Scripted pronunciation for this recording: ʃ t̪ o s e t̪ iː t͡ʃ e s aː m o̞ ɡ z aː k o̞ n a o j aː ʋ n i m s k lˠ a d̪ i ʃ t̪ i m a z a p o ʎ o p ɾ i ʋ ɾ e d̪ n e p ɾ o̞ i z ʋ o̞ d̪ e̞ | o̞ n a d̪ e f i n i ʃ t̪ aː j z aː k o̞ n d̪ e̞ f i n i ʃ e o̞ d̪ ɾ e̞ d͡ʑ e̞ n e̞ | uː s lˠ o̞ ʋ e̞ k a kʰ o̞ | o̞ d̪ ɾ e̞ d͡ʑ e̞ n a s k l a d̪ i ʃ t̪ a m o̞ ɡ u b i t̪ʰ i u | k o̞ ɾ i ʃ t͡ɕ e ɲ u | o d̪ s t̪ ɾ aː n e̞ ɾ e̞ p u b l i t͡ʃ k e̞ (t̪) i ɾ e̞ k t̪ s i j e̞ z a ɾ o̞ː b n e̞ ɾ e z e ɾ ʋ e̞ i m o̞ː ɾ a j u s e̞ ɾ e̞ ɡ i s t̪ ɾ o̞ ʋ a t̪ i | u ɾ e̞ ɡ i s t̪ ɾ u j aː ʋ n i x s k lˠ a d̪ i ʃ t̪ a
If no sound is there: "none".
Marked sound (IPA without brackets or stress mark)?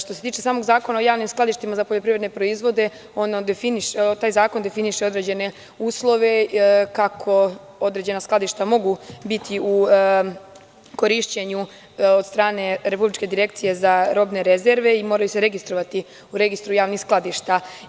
d̪